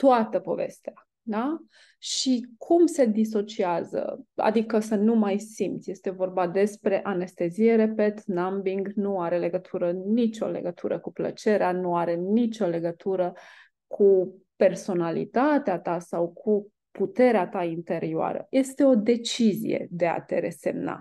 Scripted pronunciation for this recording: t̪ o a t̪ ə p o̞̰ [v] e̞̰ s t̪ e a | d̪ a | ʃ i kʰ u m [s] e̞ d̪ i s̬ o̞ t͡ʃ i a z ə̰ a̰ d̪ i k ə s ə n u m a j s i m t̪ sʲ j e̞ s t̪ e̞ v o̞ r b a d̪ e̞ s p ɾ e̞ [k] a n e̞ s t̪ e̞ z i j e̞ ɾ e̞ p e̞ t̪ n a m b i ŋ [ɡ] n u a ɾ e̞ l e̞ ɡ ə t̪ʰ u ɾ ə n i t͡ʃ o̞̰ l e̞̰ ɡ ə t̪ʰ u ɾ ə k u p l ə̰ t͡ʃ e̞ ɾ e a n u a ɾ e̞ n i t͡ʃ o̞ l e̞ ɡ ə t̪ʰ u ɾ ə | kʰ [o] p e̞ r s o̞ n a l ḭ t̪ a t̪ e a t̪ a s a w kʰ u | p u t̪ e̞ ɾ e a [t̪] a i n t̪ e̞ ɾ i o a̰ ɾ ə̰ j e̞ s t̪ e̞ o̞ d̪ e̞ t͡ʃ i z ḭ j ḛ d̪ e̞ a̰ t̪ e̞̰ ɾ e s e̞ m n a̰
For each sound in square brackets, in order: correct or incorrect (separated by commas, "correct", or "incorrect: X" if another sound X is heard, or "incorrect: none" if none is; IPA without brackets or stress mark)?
correct, correct, incorrect: ʔ, correct, incorrect: u, correct